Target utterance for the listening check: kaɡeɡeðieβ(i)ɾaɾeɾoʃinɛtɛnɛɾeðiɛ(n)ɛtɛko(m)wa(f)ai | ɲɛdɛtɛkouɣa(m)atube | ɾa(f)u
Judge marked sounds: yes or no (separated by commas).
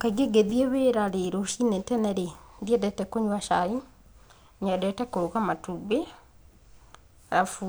no, no, no, no, yes, yes